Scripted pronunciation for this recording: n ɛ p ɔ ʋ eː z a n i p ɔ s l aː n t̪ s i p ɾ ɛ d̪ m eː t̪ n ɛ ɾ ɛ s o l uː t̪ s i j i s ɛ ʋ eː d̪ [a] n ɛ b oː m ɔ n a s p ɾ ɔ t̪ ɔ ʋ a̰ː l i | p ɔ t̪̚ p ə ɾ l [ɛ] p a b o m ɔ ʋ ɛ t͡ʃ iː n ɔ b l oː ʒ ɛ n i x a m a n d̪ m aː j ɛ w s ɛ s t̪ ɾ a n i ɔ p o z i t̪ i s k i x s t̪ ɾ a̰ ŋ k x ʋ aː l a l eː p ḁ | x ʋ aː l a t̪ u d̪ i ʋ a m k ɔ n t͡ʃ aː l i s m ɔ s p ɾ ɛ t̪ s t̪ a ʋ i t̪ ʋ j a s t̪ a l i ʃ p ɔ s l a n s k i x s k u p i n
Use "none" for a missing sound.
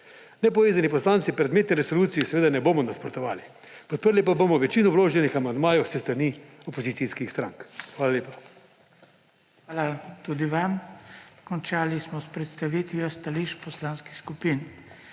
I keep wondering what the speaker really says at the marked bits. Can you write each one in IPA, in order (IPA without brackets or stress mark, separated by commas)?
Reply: a, i